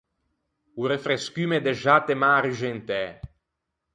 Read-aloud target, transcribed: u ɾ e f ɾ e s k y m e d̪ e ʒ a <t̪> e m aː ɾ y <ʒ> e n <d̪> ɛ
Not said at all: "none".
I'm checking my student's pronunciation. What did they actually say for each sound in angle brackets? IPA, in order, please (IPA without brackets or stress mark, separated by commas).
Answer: t̪, ʒ, t̪